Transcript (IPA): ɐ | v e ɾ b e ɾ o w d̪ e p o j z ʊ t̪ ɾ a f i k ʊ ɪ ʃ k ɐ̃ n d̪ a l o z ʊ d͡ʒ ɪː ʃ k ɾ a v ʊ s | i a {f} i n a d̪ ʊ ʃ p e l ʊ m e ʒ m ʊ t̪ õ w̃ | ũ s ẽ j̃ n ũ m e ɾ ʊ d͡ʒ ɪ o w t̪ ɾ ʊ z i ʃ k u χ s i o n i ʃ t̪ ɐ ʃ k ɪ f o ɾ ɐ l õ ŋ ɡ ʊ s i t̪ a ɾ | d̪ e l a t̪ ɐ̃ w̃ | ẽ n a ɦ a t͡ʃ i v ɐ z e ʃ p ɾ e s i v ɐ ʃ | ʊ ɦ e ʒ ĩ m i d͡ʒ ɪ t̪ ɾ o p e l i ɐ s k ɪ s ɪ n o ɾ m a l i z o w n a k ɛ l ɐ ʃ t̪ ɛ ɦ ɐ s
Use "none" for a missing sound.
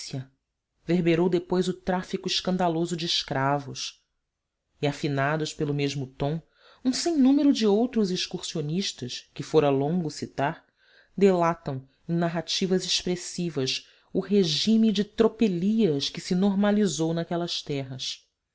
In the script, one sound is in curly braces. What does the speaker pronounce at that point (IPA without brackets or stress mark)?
f